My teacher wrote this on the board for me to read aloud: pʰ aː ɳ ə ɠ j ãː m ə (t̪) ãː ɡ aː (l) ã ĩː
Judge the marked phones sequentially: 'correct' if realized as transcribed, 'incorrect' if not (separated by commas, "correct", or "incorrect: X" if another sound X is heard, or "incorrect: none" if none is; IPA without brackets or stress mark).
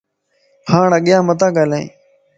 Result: correct, correct